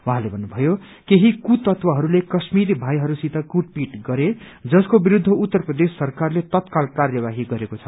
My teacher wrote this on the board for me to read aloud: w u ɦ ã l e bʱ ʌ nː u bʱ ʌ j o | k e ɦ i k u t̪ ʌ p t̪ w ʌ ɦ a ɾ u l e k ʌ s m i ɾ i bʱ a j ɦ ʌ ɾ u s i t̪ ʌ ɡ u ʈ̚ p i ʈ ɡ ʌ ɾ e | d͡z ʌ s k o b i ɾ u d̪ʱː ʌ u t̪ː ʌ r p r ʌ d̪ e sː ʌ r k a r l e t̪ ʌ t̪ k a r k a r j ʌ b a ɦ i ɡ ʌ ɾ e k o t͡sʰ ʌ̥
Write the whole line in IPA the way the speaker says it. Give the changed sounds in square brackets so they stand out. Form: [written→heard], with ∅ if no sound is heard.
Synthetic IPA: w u ɦ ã l e bʱ ʌ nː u bʱ ʌ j o | k e ɦ i k u t̪ ʌ [p→∅] t̪ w ʌ ɦ [a→ʌ] ɾ u l e k ʌ s m i ɾ i bʱ a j ɦ ʌ ɾ u s i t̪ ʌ [ɡ→k] u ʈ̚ p i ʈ ɡ ʌ ɾ e | d͡z ʌ s k o b i ɾ u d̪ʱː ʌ u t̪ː ʌ r p r ʌ d̪ e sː ʌ r k a r l e t̪ ʌ t̪ k a [r→l] k a r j ʌ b a ɦ i ɡ ʌ ɾ e k o t͡sʰ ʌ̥